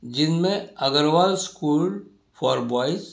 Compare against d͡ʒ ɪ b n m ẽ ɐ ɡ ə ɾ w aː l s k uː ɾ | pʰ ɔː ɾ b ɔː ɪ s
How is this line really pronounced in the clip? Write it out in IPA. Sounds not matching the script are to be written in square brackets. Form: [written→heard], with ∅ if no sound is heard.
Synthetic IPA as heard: d͡ʒ ɪ [b→∅] n m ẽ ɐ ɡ ə ɾ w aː l s k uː [ɾ→l] | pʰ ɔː ɾ b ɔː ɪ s